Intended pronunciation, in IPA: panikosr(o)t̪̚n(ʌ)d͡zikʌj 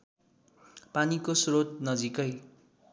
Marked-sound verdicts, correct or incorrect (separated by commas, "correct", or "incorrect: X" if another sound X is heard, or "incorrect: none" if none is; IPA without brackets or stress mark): correct, correct